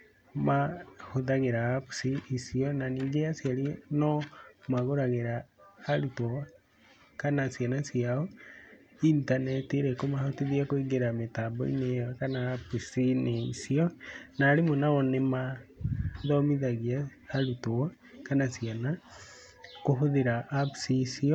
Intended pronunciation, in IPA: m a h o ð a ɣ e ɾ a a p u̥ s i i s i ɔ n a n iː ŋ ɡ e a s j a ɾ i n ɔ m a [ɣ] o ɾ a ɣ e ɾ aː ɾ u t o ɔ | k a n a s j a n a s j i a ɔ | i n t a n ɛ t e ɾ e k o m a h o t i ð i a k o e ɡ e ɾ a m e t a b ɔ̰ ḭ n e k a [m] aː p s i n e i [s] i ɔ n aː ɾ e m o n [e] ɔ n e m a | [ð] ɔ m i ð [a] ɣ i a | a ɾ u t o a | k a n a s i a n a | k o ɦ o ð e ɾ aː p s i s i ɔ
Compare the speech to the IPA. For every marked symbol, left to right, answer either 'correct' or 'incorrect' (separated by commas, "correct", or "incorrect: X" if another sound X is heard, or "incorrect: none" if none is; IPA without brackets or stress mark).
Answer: correct, incorrect: n, correct, incorrect: a, correct, correct